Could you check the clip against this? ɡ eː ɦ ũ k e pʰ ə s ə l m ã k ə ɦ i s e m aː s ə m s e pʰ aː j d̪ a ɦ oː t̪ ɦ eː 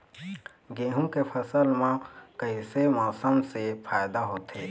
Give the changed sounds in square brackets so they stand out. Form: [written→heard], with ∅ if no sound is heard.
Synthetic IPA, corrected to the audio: ɡ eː ɦ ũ k e pʰ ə s ə l m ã k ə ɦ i s e m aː s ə m s e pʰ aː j d̪ a ɦ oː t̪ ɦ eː